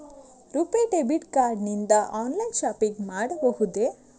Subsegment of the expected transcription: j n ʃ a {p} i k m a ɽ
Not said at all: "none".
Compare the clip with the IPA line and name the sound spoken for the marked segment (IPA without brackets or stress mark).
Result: p